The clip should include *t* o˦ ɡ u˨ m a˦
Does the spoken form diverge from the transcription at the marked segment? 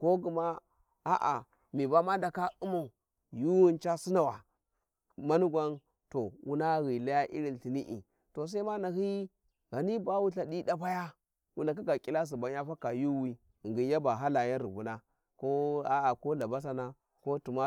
yes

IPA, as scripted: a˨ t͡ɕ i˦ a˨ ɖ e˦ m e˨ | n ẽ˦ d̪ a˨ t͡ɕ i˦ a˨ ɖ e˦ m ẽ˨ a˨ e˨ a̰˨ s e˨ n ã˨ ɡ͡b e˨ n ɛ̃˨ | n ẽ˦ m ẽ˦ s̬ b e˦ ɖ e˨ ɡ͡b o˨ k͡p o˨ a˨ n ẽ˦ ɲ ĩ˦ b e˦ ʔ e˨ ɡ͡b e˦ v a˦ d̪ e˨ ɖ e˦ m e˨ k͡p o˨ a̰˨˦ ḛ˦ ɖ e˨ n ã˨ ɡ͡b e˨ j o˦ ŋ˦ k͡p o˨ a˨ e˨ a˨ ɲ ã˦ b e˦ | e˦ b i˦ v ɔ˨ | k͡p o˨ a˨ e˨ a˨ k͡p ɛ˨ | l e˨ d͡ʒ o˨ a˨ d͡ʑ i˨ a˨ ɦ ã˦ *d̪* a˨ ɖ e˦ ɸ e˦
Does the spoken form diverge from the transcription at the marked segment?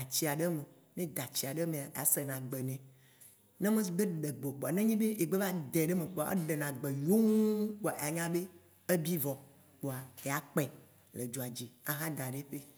no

